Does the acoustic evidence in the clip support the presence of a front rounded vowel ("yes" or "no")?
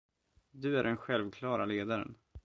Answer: no